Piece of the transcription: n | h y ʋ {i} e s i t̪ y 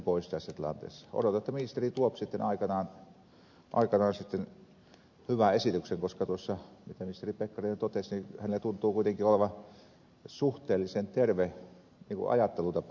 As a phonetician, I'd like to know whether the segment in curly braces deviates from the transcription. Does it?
yes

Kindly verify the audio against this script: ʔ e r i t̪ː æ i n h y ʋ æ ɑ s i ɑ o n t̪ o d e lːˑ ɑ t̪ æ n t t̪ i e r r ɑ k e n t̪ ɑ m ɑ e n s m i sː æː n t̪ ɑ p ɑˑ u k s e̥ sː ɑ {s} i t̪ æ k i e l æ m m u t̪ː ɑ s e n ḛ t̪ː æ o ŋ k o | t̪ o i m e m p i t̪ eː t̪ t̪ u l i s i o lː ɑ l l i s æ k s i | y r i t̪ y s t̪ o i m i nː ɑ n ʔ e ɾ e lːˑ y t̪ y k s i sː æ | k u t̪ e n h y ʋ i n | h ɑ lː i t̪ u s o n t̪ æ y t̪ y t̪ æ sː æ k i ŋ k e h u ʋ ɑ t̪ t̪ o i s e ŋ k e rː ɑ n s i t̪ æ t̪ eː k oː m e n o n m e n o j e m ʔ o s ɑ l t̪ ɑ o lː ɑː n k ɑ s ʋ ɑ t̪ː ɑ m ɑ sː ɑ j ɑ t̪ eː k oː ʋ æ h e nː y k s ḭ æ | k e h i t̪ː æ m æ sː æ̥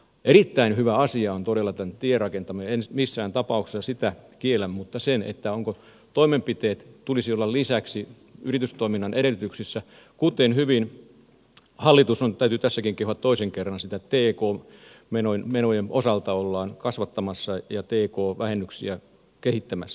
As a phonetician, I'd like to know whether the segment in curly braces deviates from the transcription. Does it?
no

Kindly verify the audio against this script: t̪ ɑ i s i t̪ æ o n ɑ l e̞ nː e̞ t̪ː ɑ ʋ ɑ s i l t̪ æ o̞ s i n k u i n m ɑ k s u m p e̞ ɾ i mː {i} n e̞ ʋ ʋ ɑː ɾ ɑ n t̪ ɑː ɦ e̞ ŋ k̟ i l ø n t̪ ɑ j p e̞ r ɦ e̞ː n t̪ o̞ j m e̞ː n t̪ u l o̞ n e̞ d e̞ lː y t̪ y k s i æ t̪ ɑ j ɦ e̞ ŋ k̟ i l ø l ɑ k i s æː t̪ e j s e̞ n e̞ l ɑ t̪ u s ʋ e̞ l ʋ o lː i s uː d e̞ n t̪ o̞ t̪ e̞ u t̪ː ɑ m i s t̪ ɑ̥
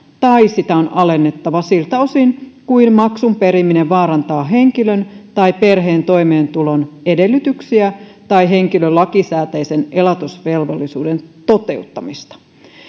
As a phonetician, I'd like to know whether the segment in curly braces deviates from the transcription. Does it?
no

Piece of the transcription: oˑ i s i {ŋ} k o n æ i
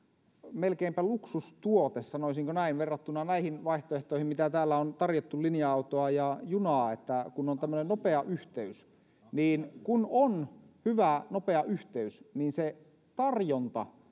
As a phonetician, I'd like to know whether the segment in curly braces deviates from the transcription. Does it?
no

